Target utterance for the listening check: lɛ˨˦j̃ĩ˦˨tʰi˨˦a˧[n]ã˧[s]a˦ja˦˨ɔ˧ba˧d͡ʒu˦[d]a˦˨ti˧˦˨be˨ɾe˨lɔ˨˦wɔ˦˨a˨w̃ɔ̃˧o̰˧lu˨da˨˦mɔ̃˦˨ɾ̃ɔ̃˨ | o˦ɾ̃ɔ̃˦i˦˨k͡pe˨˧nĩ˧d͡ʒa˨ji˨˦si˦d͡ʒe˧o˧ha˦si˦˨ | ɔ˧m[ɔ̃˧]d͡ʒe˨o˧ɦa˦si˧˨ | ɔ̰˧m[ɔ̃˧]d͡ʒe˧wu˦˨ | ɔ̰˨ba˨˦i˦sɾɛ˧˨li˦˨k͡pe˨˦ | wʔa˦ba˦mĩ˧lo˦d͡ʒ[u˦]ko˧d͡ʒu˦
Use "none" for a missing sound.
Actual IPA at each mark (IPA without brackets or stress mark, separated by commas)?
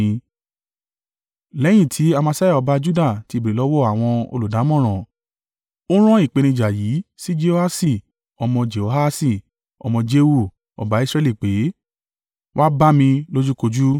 m, s, d, ɔ̃˧, ɔ̃˧, u˦